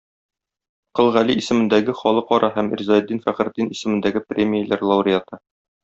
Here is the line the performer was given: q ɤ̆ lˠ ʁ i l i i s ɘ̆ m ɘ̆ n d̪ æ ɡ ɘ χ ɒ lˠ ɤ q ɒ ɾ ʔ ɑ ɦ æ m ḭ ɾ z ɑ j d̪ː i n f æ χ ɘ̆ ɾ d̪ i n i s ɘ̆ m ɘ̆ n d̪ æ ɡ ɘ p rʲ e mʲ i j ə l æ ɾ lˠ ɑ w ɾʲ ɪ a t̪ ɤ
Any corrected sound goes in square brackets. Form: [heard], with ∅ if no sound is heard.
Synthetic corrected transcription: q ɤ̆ lˠ ʁ [æ] l i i s ɘ̆ m ɘ̆ n d̪ æ ɡ ɘ χ ɒ lˠ ɤ q ɒ ɾ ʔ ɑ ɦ æ m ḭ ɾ z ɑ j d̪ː i n f æ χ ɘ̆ ɾ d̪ i n i s ɘ̆ m ɘ̆ n d̪ æ ɡ ɘ p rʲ e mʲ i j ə l æ ɾ lˠ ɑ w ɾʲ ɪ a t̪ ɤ